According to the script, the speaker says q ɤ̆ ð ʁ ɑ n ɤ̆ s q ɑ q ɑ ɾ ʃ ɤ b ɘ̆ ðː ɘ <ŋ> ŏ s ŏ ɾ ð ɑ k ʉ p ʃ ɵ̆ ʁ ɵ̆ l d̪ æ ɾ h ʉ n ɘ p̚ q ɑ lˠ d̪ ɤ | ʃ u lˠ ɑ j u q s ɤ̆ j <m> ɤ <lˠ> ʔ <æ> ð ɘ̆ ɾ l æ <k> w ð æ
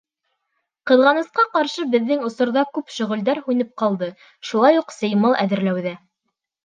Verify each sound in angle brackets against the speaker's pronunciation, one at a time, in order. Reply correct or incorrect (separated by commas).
correct, correct, correct, correct, incorrect